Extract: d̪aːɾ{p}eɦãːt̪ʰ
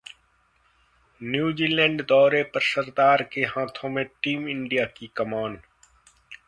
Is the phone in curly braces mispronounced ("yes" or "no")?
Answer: yes